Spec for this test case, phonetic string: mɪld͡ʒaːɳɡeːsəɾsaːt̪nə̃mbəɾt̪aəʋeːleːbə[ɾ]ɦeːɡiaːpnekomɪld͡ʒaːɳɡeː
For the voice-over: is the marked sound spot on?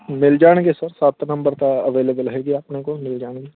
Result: no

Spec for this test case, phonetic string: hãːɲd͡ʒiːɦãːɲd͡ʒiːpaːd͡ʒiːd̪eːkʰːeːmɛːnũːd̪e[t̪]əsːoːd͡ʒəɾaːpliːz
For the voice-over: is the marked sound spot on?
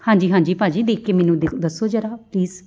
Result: no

